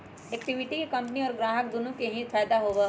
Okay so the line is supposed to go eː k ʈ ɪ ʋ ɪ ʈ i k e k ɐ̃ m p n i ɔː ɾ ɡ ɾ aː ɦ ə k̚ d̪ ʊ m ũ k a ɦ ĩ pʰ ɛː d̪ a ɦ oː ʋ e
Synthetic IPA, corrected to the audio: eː k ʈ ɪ ʋ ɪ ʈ i k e k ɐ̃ m p n i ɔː ɾ ɡ ɾ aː ɦ ə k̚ d̪ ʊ n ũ k e ɦ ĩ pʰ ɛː d̪ a ɦ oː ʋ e

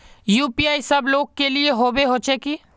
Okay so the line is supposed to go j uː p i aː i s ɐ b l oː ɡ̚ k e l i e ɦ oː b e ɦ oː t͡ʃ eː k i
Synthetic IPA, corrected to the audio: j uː p i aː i s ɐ b l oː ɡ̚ k e l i e ɦ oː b e ɦ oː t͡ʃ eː k i

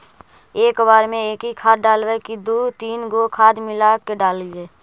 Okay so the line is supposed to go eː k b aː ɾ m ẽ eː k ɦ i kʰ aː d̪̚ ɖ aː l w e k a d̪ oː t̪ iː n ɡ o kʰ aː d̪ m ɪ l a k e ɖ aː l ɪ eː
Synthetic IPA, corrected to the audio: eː k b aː ɾ m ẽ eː k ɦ i kʰ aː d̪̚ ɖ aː l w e k i d̪ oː t̪ iː n ɡ o kʰ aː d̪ m ɪ l a k e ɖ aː l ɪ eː

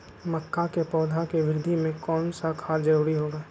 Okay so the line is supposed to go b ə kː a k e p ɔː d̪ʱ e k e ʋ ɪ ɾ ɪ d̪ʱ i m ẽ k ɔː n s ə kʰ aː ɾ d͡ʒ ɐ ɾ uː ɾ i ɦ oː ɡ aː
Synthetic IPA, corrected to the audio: m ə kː a k e p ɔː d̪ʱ a k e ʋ ɪ ɾ ɪ d̪ʱ i m ẽ k ɔː n s a kʰ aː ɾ d͡ʒ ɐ ɾ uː ɾ i ɦ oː ɡ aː

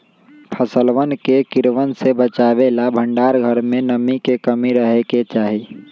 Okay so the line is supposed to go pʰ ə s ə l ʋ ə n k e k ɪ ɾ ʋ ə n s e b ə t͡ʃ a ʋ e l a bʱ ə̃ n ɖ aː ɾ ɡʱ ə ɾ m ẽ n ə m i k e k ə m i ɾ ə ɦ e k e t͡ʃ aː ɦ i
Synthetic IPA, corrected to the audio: pʰ ə s ə l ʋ ə n k e k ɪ ɾ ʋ ə n s e b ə t͡ʃ a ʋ e l a bʱ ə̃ ɳ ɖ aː ɾ ɡʱ ə ɾ m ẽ n ə m i k e k ə m i ɾ ə ɦ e k e t͡ʃ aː ɦ i

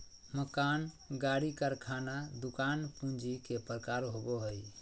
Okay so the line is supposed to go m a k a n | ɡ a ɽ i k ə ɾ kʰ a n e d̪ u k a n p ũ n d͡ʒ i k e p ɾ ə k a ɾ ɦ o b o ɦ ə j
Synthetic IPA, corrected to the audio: m ə k a n | ɡ a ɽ i k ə ɾ kʰ a n a d̪ u k a n p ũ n d͡ʒ i k e p ɾ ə k a ɾ ɦ o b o ɦ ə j

